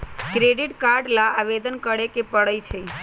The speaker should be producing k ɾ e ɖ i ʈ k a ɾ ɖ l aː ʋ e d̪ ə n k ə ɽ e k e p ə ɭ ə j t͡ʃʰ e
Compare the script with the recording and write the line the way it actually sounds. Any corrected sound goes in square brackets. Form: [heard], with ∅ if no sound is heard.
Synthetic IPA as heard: k ɾ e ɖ i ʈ k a ɾ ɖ l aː ʋ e d̪ ə n k ə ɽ e k e p ə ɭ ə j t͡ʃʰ e